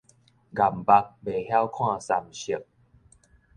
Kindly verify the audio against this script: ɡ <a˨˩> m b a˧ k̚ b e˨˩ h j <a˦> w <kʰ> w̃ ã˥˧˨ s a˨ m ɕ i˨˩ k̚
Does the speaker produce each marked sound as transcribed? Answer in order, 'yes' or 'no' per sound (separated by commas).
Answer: yes, yes, yes